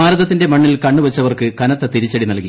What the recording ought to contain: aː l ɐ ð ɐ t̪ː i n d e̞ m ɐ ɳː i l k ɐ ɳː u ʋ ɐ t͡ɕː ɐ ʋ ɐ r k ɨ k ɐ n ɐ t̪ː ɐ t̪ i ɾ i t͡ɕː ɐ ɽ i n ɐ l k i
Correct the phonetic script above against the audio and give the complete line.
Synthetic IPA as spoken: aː ɾ ɐ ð ɐ t̪ː i n d e̞ m ɐ ɳː i l k ɐ ɳː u ʋ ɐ t͡ɕː ɐ ʋ ɐ r k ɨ k ɐ n ɐ t̪ː ɐ t̪ i ɾ i t͡ɕː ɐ ɽ i n ɐ l k i